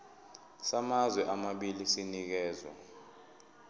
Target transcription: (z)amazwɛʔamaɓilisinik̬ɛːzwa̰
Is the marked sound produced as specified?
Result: no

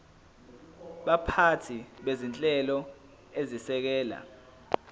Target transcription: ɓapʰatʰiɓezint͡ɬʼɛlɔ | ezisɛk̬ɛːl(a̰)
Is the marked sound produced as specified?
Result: yes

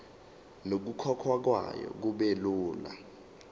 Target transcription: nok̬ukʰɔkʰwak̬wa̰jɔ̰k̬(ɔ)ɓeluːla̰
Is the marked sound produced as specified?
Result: no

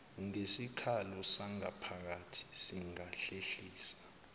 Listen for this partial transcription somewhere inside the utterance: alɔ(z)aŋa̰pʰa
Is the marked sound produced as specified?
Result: no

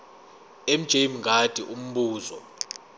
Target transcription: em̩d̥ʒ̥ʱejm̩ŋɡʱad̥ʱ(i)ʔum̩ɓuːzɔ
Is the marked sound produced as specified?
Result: yes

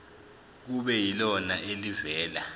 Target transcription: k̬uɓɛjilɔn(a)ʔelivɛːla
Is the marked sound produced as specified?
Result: yes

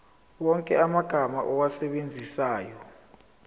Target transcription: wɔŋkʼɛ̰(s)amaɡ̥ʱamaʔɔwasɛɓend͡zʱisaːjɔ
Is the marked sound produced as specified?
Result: no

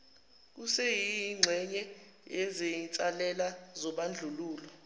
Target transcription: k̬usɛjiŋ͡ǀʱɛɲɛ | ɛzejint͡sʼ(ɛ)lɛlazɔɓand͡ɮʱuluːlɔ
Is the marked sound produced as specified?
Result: no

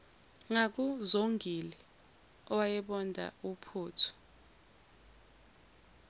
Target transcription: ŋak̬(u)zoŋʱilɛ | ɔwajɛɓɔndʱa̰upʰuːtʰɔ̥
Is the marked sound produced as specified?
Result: yes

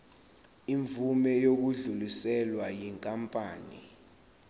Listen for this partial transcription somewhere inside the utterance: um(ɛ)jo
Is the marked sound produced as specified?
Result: yes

